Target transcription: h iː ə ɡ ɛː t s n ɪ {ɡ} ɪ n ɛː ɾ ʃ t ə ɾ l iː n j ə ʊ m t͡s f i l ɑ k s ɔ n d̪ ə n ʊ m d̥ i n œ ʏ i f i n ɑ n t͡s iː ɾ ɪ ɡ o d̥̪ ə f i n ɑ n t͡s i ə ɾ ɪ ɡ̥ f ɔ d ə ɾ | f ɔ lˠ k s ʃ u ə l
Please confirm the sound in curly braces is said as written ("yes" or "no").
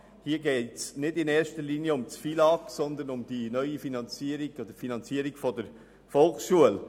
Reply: no